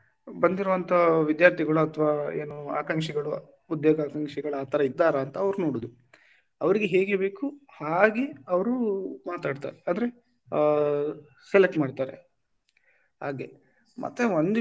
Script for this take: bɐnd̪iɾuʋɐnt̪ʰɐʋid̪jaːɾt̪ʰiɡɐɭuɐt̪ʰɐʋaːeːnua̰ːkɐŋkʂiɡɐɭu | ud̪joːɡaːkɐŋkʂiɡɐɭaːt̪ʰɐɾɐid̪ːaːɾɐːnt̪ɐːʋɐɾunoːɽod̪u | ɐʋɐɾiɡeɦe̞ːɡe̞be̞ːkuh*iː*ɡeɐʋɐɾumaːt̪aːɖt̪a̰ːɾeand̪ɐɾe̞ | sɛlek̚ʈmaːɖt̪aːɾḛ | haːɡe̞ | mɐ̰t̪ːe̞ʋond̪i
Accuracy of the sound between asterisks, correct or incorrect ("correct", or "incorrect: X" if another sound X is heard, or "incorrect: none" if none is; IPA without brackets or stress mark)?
incorrect: aː